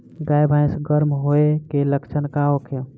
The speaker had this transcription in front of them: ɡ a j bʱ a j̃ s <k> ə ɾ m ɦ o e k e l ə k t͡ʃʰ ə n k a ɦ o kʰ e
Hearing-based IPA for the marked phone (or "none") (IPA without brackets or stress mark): ɡ